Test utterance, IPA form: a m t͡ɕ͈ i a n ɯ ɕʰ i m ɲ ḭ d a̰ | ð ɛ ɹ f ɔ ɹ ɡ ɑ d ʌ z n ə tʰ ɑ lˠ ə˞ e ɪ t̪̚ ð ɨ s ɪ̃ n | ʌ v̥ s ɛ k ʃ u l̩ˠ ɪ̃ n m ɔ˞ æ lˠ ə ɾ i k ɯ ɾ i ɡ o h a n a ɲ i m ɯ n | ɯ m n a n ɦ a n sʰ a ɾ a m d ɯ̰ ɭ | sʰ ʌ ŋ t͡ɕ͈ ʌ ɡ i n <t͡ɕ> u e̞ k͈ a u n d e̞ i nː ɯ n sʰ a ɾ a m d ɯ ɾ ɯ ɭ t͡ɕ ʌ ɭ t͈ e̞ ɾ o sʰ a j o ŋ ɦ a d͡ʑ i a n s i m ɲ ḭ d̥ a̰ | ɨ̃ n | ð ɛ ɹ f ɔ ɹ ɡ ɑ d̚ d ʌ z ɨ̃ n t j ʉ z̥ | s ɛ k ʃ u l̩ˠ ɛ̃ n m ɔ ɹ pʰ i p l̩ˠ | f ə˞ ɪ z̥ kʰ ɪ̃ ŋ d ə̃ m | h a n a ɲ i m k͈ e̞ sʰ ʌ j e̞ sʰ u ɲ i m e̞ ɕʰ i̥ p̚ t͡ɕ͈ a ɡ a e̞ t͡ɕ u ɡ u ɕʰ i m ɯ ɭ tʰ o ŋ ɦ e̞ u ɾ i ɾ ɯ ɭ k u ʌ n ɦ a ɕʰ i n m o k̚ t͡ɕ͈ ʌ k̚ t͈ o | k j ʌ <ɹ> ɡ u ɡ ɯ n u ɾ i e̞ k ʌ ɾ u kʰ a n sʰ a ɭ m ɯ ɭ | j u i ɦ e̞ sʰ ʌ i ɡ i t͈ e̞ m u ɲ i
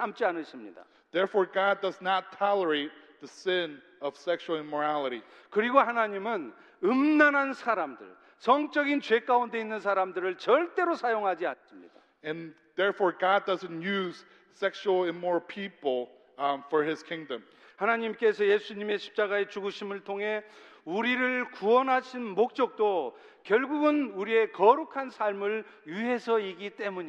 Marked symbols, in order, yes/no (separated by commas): yes, no